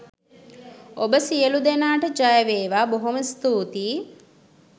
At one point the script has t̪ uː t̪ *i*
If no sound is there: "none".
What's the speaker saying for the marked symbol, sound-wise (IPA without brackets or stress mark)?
iː